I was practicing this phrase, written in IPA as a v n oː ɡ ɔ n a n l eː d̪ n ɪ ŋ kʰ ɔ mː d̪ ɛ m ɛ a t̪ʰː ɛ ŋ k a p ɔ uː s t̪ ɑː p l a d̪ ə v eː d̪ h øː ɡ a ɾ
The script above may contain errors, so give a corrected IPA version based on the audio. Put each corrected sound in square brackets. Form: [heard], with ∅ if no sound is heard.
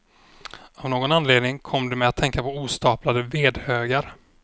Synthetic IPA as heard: a v n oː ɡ ɔ n a n l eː d̪ n ɪ ŋ kʰ ɔ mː d̪ ɛ m ɛ a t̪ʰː ɛ ŋ k a p ɔ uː s t̪ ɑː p l a d̪ ə v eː d̪ h øː ɡ a ɾ